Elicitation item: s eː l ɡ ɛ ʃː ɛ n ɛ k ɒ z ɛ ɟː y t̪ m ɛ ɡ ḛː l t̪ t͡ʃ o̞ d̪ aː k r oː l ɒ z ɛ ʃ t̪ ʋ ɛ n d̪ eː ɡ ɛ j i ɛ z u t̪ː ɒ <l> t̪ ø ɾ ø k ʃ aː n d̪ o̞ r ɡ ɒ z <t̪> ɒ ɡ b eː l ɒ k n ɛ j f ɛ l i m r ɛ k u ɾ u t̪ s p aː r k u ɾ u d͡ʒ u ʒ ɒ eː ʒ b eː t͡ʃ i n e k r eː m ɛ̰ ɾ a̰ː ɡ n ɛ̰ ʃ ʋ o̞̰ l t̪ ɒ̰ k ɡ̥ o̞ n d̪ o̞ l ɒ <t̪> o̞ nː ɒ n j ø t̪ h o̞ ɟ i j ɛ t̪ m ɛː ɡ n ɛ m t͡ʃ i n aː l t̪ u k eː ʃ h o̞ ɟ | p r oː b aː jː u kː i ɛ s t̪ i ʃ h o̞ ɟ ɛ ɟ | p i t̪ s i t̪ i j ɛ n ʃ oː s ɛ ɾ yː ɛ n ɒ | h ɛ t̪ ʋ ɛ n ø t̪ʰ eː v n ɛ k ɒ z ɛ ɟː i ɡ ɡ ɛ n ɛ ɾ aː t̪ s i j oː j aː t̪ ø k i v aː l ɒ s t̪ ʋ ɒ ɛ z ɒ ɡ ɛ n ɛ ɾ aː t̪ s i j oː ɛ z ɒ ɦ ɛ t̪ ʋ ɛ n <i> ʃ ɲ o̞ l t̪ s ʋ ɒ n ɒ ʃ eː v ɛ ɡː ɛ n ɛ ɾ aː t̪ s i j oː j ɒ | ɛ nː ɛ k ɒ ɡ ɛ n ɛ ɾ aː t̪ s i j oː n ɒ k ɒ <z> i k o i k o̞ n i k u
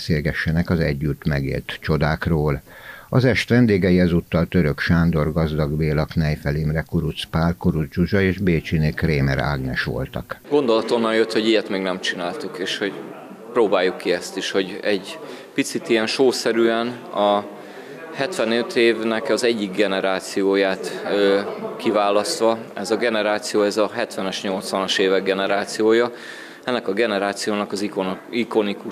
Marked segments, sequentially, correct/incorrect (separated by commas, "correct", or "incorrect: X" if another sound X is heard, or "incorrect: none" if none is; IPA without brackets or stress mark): correct, incorrect: d̪, correct, incorrect: ɛ, correct